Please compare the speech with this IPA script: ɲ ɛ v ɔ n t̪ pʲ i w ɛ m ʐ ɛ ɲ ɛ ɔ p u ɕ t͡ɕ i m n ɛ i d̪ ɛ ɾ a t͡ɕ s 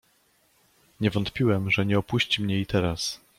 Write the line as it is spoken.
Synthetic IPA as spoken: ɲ ɛ v ɔ n t̪ pʲ i w ɛ m ʐ ɛ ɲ ɛ ɔ p u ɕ t͡ɕ i m ɲ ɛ i t̪ ɛ ɾ a s